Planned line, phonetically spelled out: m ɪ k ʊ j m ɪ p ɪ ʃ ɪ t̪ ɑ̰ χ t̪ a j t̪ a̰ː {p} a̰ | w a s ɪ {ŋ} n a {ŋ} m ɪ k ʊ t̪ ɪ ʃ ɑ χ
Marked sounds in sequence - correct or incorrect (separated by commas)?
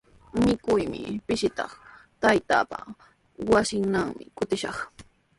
correct, correct, correct